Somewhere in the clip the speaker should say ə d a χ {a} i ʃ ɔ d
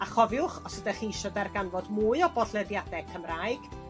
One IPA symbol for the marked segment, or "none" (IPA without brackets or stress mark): i